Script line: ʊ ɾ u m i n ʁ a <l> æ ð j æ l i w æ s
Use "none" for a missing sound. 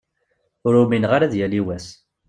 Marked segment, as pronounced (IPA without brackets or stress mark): ɾ